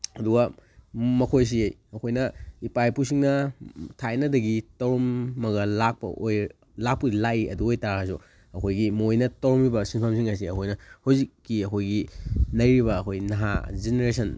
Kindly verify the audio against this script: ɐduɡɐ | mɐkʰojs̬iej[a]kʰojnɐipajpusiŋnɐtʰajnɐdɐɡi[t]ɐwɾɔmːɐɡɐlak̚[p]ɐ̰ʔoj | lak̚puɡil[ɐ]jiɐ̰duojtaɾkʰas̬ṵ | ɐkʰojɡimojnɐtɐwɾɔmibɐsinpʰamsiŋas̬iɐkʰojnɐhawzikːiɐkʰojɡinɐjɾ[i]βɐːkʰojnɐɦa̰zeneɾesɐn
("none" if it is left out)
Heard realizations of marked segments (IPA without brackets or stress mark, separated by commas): ɐ, t, p, a, i